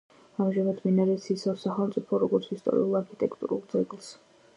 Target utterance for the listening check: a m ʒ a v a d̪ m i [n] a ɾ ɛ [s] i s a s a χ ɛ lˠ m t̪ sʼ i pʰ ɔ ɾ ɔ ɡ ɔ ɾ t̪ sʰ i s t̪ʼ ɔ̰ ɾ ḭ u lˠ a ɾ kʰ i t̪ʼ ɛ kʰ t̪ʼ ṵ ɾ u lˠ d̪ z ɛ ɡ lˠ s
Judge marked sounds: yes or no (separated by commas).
yes, yes